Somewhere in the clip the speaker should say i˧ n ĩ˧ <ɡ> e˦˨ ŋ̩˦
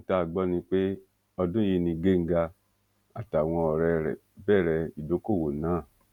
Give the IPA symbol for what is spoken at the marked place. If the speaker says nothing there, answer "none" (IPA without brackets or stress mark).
ɡ